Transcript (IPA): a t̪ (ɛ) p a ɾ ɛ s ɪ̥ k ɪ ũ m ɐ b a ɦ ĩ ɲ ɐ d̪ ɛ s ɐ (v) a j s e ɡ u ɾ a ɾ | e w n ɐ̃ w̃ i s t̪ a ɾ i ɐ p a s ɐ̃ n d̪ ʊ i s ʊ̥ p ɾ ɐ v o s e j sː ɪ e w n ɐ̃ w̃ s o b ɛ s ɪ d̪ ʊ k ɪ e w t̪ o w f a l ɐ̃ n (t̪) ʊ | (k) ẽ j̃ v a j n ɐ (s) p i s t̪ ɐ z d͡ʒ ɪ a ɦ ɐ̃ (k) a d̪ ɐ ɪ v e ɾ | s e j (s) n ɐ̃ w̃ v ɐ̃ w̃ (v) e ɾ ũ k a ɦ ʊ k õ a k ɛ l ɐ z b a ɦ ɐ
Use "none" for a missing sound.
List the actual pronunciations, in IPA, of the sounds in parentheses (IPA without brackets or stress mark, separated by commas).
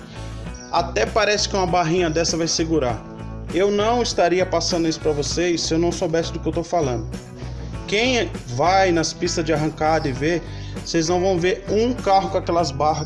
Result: ɛ, v, d̪, k, s, k, z, v